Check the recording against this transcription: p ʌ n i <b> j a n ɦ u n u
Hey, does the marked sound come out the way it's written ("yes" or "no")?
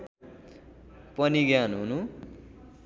no